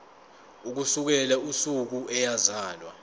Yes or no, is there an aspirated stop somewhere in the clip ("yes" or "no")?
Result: no